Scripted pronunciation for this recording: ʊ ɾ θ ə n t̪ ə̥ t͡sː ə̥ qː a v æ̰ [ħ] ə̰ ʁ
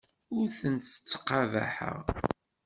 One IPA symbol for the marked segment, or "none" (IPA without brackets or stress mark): ħ